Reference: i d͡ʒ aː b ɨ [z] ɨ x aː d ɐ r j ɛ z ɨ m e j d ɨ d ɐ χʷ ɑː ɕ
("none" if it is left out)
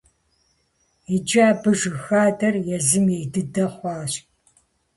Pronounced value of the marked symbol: ʒ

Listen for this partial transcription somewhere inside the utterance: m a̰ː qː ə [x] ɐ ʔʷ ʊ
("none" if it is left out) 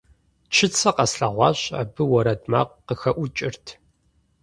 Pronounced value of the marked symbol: x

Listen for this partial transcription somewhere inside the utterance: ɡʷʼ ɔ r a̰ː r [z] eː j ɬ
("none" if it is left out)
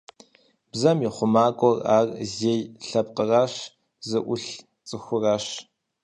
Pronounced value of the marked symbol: z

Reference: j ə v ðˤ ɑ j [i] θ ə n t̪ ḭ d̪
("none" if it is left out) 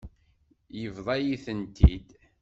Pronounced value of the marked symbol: i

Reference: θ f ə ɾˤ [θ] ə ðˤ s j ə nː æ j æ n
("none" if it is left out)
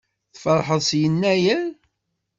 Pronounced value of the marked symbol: ħ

